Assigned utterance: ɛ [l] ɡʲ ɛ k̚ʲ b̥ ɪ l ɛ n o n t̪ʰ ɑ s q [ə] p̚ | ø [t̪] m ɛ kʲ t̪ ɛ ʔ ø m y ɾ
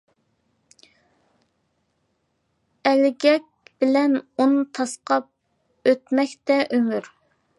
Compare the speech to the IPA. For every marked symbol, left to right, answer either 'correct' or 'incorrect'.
correct, incorrect: ɑ, correct

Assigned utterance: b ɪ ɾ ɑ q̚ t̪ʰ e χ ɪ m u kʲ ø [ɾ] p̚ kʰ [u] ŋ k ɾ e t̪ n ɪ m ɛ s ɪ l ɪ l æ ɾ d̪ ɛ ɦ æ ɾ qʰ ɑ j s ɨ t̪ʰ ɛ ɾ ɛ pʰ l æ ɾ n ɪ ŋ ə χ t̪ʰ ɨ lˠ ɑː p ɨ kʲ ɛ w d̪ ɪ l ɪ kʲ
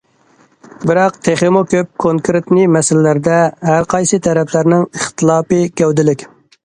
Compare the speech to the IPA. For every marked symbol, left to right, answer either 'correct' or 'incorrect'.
incorrect: none, incorrect: o

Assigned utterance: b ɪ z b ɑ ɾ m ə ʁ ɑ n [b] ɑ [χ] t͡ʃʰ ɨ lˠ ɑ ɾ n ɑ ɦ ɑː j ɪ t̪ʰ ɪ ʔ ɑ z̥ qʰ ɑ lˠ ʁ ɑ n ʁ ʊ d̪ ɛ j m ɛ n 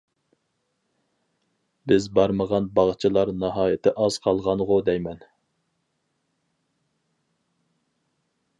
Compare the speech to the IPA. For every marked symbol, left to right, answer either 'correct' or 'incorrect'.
correct, incorrect: ʁ

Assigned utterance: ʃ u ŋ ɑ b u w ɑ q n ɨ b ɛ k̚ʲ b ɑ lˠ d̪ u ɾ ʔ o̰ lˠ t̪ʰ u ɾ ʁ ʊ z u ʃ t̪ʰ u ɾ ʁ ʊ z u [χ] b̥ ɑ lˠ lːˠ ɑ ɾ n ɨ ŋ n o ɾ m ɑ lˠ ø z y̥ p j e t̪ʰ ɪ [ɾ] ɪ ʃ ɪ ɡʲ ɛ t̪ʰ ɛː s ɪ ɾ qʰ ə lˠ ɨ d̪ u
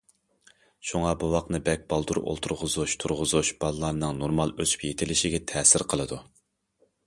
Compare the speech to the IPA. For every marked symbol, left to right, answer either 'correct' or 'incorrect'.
incorrect: ʃ, incorrect: l

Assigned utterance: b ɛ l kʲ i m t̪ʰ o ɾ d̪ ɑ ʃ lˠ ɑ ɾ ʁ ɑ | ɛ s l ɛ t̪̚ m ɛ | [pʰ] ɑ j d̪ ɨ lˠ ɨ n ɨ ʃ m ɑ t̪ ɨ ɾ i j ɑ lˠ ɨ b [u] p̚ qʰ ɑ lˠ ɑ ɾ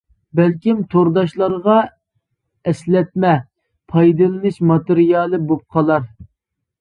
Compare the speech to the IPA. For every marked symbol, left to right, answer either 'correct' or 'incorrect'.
correct, incorrect: o

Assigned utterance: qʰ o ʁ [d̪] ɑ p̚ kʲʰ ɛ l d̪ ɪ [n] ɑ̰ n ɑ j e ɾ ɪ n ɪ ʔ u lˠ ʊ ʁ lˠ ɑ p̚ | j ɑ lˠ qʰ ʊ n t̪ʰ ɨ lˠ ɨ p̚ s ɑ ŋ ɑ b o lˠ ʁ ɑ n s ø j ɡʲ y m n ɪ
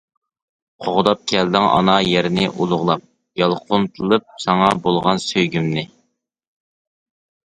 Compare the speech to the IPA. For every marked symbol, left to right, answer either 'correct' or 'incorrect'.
correct, incorrect: ŋ

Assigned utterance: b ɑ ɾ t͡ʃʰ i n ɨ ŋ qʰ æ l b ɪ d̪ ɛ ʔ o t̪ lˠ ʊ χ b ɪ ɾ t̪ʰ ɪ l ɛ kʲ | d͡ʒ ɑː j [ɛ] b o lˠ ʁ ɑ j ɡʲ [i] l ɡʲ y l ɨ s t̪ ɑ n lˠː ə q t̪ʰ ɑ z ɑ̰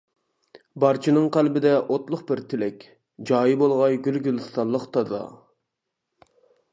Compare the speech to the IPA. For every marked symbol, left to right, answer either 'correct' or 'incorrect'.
incorrect: i, incorrect: y

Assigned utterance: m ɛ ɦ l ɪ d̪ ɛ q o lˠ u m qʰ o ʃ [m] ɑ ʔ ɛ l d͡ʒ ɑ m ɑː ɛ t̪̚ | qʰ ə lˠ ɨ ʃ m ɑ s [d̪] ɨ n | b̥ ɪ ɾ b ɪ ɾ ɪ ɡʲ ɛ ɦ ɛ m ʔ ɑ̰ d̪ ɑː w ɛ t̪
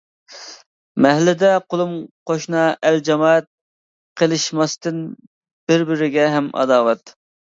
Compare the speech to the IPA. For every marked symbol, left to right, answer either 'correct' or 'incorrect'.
incorrect: n, incorrect: t̪

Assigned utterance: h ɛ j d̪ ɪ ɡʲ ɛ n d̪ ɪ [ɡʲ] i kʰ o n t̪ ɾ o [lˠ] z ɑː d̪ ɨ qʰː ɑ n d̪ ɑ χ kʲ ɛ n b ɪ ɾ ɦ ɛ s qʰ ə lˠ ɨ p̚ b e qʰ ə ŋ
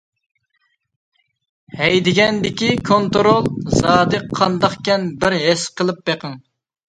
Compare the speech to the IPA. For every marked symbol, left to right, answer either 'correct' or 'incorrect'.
incorrect: kʲ, correct

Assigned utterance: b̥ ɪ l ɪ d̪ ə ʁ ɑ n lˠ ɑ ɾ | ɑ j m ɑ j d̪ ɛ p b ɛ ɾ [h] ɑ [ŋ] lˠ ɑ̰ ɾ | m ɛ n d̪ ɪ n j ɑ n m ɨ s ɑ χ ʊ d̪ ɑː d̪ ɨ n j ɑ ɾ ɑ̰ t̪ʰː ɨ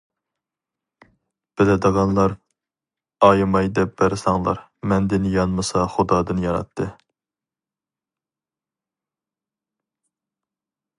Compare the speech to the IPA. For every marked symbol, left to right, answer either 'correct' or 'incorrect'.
incorrect: s, correct

